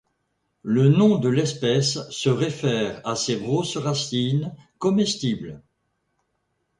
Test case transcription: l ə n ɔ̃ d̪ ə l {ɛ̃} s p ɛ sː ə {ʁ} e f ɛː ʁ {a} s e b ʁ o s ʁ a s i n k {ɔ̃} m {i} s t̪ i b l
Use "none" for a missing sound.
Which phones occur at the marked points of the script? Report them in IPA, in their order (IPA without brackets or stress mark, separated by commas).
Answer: ɛ, ʁ, a, ɔ, ɛ